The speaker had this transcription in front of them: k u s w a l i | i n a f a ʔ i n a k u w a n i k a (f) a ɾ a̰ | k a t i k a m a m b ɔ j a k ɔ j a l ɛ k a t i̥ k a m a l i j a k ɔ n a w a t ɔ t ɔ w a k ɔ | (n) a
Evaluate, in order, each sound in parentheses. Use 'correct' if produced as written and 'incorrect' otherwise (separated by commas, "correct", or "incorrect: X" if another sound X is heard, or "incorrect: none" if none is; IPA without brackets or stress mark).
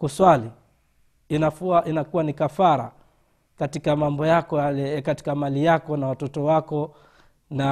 correct, correct